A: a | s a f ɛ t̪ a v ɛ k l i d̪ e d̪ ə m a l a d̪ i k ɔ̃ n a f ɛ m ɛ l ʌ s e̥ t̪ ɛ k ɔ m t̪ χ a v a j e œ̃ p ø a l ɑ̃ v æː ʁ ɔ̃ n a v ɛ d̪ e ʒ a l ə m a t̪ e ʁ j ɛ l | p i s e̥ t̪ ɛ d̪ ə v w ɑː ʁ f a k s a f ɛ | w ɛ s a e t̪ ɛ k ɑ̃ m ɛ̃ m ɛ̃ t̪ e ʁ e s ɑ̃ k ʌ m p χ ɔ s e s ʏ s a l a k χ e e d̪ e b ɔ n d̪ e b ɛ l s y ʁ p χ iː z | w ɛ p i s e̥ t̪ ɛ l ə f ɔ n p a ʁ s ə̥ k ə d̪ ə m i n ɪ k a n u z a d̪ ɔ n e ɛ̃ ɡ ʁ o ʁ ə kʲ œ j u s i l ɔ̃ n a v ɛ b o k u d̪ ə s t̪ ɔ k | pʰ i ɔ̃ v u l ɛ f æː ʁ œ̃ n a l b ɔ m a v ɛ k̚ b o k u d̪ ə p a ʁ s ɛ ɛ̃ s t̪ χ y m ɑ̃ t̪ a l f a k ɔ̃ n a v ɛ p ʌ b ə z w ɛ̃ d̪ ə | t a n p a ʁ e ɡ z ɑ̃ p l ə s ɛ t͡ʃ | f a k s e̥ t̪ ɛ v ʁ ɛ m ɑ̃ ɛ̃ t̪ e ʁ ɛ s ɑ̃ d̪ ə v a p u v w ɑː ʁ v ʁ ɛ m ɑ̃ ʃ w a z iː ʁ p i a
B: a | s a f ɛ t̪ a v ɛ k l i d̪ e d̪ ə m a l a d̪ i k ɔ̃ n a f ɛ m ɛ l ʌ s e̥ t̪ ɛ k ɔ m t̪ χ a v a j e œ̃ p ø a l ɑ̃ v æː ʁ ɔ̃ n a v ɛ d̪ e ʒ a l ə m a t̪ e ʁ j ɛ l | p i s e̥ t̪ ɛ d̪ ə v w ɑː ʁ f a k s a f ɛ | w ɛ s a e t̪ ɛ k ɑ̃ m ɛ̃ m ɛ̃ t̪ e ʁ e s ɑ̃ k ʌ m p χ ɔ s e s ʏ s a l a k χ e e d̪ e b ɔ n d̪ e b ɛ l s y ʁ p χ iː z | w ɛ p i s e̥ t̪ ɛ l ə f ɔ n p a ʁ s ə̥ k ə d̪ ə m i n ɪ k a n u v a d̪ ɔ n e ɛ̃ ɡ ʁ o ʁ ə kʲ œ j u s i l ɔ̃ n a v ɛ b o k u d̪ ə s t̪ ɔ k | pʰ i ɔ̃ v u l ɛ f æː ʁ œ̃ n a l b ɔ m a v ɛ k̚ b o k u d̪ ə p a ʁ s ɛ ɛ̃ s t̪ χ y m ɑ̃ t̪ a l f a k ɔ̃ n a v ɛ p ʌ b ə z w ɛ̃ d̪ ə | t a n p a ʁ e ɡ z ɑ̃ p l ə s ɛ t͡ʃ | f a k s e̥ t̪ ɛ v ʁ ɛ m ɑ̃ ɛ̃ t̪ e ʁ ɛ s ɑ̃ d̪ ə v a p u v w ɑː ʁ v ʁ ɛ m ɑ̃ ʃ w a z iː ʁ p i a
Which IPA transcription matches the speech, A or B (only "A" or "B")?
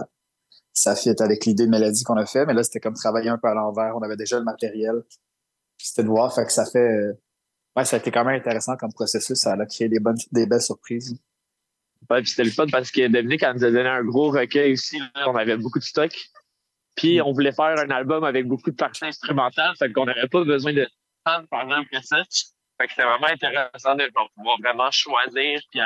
A